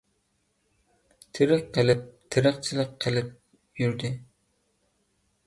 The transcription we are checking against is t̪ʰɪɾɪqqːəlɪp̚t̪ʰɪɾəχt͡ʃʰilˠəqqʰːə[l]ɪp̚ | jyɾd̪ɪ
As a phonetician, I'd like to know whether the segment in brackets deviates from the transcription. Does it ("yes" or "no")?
no